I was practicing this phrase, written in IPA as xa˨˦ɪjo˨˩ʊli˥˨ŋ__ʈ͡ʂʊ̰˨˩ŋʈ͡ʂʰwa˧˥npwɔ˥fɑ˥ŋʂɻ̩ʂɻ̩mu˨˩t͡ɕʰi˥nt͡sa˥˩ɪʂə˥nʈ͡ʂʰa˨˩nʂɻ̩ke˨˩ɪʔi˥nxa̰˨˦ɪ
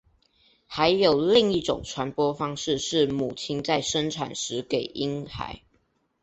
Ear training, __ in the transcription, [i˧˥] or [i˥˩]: i˥˩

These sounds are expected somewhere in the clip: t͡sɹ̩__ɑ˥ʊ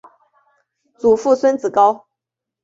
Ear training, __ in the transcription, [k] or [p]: k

